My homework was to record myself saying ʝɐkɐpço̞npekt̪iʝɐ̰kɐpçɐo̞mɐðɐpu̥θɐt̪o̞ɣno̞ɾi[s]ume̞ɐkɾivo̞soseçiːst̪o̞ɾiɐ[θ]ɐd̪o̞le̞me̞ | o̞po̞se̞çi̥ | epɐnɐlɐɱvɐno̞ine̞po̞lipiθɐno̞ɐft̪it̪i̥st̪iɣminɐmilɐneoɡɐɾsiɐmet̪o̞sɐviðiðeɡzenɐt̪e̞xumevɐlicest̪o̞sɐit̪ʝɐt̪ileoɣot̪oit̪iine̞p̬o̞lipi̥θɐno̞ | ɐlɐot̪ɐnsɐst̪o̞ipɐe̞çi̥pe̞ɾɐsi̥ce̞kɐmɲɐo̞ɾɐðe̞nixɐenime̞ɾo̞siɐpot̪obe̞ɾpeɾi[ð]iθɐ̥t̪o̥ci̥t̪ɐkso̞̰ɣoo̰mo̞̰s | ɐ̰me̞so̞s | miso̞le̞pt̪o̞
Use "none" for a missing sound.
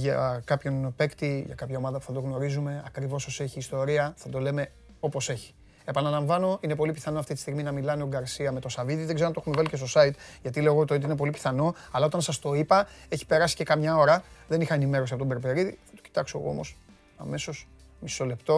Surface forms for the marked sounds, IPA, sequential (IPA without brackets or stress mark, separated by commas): z, θ, ð